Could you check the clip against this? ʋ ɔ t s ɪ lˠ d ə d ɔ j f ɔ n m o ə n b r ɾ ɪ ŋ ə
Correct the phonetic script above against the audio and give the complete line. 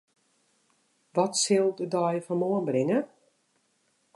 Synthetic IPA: ʋ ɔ t s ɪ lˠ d ə d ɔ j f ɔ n m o ə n b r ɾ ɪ ŋ ə